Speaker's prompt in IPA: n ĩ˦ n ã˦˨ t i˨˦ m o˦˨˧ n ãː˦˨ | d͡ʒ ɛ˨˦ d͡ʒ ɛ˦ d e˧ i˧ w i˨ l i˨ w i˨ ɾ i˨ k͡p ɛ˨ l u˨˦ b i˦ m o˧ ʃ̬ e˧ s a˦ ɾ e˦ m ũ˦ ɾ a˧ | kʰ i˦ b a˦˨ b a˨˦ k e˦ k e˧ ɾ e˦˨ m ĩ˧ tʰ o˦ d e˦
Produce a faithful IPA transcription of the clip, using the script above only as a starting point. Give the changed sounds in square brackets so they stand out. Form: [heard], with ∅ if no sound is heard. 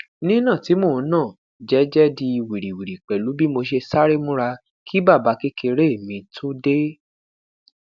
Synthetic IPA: n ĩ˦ n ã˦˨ t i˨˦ m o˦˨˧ n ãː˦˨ | d͡ʒ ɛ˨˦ d͡ʒ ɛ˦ d [i˧] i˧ w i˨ [ɾ] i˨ w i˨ ɾ i˨ k͡p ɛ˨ l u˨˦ b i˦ m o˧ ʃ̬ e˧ s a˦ ɾ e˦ m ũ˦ ɾ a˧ | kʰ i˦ b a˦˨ b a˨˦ k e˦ k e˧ ɾ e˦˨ m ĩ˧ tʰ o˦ d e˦